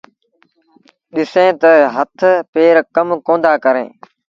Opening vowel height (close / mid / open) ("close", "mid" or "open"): close